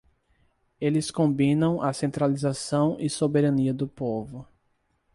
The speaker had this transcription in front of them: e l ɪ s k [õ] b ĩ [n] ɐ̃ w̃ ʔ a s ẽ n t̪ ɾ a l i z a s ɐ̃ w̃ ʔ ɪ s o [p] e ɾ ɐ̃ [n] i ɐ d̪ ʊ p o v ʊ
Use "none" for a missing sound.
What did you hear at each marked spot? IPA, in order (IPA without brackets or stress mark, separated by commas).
õ, n, b, n